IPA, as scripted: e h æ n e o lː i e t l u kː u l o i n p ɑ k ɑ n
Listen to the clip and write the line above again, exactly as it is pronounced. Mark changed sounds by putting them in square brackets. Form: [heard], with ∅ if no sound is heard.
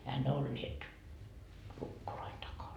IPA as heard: e h æ n e o lː i e t l u kː [o] l o i n [t] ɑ k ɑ n